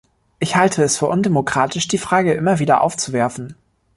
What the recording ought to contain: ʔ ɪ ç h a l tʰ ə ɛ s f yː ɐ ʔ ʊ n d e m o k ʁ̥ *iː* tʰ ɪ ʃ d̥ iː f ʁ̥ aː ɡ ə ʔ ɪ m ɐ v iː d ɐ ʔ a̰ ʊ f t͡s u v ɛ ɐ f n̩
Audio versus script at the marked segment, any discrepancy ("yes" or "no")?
yes